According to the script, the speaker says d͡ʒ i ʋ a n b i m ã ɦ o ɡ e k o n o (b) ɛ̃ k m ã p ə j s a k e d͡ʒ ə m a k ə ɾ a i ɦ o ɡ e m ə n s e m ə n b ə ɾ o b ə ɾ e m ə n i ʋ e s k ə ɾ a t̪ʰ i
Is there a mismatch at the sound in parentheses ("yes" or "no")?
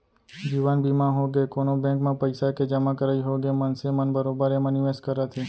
no